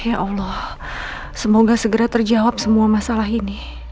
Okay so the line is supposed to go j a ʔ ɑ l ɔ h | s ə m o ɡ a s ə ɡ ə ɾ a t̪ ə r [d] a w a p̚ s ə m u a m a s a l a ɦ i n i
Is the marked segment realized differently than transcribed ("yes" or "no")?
yes